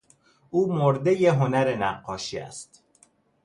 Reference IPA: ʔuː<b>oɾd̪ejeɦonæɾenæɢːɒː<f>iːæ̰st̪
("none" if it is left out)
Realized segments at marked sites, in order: m, ʃ

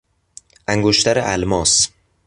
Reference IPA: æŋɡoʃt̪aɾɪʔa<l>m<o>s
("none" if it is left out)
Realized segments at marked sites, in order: l, ɒ

